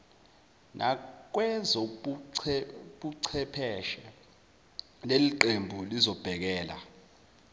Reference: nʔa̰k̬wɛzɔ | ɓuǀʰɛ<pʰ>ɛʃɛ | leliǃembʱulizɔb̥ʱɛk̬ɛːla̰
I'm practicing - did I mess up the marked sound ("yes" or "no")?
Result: no